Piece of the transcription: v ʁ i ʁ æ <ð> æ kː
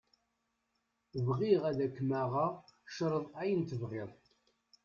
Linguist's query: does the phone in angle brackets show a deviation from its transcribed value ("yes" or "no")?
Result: no